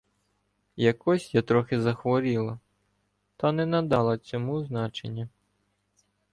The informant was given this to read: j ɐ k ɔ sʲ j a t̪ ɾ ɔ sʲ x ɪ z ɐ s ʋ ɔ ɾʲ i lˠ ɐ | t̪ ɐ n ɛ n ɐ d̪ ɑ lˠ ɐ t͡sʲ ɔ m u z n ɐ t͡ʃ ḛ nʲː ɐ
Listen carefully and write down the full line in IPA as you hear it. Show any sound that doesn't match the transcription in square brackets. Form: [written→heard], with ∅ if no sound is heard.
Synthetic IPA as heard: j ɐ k ɔ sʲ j a t̪ ɾ ɔ [sʲ→∅] x ɪ z ɐ [s→x] ʋ ɔ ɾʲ i lˠ ɐ | t̪ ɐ n ɛ n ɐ d̪ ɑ lˠ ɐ t͡sʲ ɔ m u z n [ɐ→ɑ] t͡ʃ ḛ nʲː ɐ